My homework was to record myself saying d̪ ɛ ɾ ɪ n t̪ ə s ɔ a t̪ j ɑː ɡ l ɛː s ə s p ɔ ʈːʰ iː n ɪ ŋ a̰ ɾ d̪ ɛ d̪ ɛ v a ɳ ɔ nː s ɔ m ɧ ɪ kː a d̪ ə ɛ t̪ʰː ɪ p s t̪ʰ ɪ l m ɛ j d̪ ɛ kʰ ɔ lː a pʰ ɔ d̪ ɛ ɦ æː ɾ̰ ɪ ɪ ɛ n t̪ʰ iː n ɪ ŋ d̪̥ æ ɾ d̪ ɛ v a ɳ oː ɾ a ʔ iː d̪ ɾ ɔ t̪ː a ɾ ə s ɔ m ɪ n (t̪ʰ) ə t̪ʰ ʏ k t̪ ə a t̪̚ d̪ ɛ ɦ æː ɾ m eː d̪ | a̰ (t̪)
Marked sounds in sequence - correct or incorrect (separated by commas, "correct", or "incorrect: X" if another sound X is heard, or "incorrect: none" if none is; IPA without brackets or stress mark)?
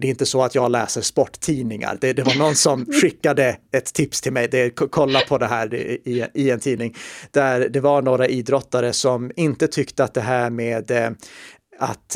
incorrect: t̪, correct